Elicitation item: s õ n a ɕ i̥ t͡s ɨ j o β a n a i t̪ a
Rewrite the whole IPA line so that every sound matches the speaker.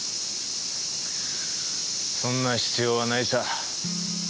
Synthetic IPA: s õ nː a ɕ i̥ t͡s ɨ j o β a n a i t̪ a